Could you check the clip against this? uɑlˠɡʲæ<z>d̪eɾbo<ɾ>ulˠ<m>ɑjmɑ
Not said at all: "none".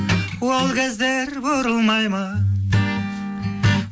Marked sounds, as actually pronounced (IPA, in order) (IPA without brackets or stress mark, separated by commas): z, ɾ, m